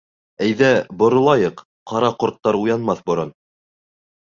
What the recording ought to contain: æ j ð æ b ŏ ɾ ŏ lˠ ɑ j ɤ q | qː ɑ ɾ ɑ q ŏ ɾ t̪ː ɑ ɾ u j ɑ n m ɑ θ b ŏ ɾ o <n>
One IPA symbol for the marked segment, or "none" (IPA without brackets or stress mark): n